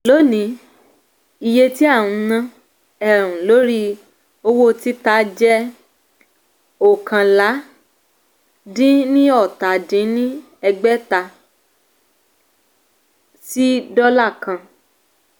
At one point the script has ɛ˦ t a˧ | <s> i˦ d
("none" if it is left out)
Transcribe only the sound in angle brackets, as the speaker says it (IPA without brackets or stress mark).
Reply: s